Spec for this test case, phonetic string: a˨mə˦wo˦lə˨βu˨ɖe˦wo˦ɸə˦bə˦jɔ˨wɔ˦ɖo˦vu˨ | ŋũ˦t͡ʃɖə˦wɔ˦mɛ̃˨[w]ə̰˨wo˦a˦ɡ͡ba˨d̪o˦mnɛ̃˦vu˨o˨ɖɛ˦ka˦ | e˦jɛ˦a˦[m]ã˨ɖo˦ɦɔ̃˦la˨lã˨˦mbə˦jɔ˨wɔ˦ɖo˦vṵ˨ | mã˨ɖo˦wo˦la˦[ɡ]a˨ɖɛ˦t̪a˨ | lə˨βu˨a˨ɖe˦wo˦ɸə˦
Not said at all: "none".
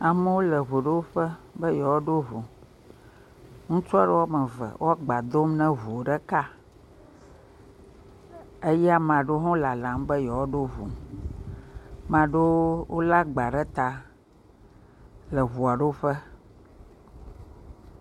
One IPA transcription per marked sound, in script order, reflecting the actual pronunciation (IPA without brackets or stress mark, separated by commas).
v, m, ɡ͡b